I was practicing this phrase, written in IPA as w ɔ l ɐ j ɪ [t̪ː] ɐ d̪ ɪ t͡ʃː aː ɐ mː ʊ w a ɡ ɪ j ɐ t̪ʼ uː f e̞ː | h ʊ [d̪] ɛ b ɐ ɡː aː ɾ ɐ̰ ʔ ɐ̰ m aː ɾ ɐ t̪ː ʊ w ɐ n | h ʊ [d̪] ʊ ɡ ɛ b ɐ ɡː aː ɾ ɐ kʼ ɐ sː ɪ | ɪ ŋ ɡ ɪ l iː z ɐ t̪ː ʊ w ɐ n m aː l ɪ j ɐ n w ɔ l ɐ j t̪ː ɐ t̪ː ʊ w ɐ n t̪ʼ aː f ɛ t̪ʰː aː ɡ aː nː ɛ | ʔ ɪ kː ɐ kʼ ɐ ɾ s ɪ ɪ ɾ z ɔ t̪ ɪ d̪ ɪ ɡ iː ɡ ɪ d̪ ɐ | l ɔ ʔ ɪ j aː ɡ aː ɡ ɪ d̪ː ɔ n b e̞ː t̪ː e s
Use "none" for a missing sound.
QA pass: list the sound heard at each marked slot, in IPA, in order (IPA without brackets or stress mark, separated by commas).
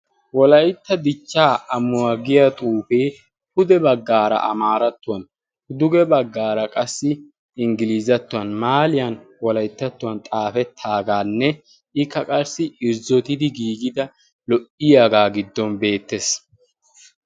t̪ː, d̪, d̪